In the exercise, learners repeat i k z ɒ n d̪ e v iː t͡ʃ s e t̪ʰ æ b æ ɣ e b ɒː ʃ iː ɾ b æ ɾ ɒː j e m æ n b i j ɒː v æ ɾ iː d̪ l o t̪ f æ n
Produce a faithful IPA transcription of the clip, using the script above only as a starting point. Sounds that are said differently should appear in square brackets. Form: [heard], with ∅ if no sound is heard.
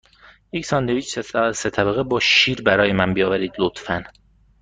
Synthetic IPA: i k [s] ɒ n d̪ e v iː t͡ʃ s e t̪ʰ æ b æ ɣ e b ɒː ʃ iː ɾ b æ ɾ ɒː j e m æ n b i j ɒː v æ ɾ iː d̪ l o t̪ f æ n